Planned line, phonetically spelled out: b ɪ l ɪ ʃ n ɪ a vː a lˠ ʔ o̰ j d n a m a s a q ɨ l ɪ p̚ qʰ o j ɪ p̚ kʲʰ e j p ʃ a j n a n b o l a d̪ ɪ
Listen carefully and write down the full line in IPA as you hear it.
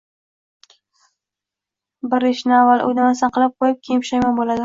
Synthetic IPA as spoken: b ɪ ɾ ɪ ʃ n ɪ a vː a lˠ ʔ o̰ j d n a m a s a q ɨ l ɪ p̚ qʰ o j ɪ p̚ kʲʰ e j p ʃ a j m a n b o l a d̪ ɪ